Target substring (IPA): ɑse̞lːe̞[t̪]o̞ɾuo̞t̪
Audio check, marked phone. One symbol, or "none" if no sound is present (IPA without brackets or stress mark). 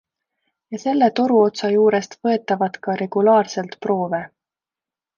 t̪